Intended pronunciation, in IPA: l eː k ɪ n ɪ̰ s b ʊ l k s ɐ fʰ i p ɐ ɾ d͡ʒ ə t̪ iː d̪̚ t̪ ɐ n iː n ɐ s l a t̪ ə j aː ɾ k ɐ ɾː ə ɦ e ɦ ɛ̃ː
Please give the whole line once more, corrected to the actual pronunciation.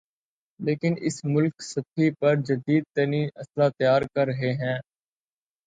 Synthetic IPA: l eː k ɪ n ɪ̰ s m ʊ l k s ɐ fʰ i p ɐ ɾ d͡ʒ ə d̪ iː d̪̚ t̪ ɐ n iː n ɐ s l a t̪ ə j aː ɾ k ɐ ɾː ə ɦ e ɦ ɛ̃ː